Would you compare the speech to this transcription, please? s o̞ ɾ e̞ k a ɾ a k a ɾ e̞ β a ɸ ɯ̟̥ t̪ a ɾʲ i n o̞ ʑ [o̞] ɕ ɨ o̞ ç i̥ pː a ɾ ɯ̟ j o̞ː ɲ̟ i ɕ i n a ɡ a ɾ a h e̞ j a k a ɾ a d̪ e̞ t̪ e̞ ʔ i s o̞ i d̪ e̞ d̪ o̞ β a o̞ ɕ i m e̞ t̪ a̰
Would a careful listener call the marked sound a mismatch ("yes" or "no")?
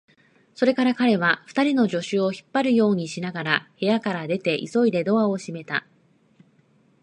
no